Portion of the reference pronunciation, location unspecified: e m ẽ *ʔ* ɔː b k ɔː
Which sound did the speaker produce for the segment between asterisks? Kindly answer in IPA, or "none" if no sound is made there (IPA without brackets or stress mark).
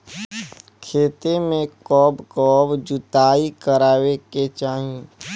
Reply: k